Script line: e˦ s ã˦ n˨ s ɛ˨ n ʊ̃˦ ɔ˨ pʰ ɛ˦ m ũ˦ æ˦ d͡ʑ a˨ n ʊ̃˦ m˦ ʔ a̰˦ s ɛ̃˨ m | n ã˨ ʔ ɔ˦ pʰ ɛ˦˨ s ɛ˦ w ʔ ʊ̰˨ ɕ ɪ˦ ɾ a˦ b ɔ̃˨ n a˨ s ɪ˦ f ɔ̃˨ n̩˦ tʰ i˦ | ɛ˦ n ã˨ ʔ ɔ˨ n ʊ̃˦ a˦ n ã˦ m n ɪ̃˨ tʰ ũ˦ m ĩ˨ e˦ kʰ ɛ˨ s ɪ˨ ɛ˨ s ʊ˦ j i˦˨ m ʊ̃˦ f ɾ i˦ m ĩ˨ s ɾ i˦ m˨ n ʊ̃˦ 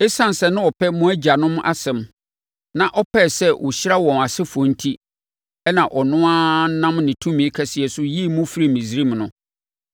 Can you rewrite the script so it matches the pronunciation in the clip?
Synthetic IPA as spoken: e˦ s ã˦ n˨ s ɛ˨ n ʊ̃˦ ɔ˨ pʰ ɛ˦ m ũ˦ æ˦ d͡ʑ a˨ n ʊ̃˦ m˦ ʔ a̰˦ s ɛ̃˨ m | n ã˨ ʔ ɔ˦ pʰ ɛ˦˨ s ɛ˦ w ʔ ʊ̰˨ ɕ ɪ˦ ɾ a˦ w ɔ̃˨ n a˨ s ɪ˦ f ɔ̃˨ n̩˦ tʰ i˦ | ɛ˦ n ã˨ ʔ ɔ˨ n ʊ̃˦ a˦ n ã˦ m n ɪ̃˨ tʰ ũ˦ m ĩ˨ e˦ kʰ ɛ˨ s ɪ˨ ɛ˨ s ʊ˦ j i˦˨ m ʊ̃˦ f ɾ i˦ m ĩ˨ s ɾ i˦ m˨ n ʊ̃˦